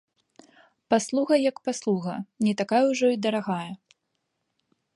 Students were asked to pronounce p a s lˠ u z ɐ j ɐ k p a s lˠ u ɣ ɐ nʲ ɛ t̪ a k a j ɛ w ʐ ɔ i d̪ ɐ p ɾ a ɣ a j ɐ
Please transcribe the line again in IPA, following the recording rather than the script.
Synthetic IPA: p a s lˠ u ɣ ɐ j ɐ k p a s lˠ u ɣ ɐ nʲ ɛ t̪ a k a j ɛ w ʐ ɔ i d̪ ɐ ɾ a ɣ a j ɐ

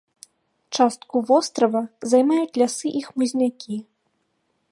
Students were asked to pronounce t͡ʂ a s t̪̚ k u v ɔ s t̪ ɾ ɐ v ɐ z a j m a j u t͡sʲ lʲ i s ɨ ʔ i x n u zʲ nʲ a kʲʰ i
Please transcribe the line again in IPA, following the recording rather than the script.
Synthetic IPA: t͡ʂ a s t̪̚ k u v ɔ s t̪ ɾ ɐ v ɐ z a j m a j u t͡sʲ lʲ a s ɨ ʔ i x m u zʲ nʲ a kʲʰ i

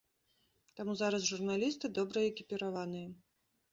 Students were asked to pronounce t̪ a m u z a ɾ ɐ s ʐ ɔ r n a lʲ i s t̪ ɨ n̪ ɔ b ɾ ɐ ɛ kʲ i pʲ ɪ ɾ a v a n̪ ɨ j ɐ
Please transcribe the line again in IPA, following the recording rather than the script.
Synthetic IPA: t̪ a m u z a ɾ ɐ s ʐ u r n a lʲ i s t̪ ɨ d̪ ɔ b ɾ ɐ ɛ kʲ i pʲ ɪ ɾ a v a n̪ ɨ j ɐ

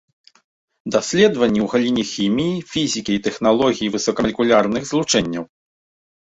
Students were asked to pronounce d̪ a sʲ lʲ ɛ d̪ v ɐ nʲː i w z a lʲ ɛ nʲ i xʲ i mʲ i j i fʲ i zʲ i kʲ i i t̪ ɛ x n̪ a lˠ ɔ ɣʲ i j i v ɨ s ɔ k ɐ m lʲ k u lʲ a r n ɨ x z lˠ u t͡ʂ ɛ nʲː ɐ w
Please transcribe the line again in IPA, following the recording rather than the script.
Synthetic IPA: d̪ a sʲ lʲ ɛ d̪ v ɐ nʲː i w ɣ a lʲ i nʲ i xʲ i mʲ i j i fʲ i zʲ i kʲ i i t̪ ɛ x n̪ a lˠ ɔ ɣʲ i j i v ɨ s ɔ k ɐ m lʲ k u lʲ a r n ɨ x z lˠ u t͡ʂ ɛ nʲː ɐ w

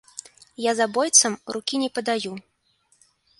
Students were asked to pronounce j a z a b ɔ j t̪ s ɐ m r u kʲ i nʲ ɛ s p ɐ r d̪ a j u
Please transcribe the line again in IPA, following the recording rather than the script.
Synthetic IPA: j a z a b ɔ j t̪ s ɐ m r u kʲ i nʲ ɛ p ɐ d̪ a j u

